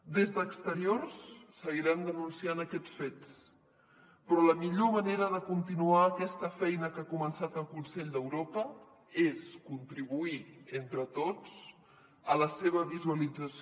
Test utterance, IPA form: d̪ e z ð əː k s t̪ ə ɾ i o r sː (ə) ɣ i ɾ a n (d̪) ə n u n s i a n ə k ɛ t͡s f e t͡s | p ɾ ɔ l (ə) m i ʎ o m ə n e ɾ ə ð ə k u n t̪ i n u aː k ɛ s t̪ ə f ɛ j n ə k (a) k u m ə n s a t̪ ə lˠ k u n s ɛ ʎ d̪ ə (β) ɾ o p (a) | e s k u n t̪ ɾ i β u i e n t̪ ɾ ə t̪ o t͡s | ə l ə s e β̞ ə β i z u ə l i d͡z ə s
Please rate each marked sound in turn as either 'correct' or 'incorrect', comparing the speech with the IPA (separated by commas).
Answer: correct, correct, correct, correct, incorrect, incorrect